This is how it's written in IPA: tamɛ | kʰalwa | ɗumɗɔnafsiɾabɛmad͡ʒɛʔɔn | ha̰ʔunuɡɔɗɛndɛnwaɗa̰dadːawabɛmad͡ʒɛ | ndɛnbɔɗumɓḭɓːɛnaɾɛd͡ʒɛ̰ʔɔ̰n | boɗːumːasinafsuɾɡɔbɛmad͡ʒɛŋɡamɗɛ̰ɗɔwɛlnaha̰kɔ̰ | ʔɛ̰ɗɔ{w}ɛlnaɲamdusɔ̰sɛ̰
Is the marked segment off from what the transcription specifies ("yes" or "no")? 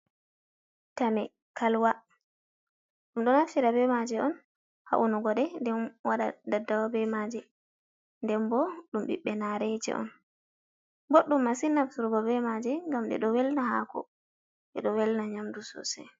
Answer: no